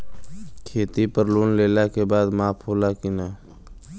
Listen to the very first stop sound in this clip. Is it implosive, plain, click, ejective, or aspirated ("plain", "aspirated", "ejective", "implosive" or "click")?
aspirated